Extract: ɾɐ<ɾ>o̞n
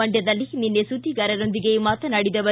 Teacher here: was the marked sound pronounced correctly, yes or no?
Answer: yes